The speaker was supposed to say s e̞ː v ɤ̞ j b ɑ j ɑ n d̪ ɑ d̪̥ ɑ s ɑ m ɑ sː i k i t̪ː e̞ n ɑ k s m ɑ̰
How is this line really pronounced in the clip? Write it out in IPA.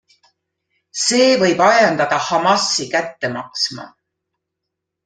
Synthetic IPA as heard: s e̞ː v ɤ̞ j b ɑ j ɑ n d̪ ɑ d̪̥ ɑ h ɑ m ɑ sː i k æ t̪ː e̞ m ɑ k s m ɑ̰